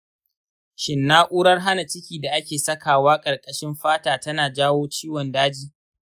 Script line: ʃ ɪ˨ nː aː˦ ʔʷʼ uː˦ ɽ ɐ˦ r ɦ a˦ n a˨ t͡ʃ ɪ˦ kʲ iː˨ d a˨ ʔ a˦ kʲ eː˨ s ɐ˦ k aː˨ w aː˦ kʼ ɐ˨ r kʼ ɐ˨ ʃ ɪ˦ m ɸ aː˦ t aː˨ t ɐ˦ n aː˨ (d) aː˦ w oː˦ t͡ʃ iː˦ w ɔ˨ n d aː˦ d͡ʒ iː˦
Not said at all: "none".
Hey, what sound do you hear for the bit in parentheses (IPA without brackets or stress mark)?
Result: d͡ʒ